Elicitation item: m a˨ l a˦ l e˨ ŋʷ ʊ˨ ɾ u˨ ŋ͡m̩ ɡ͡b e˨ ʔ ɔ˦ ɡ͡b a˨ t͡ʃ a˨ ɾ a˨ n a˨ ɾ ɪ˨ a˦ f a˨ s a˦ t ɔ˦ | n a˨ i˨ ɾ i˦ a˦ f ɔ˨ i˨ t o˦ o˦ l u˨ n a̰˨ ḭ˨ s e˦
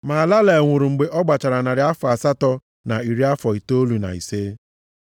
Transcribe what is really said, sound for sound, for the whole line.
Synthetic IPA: m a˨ l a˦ l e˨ ŋʷ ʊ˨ ɾ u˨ ŋ͡m̩ ɡ͡b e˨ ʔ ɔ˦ ɡ͡b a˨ t͡ʃ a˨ ɾ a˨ n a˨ ɾ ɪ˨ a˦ f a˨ s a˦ t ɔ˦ | n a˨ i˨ ɾ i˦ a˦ f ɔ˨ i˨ t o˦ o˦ l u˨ n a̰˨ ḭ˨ s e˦